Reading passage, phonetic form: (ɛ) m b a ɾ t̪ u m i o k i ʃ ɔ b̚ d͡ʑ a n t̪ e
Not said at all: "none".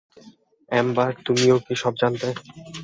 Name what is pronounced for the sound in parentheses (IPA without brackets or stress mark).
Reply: ɛ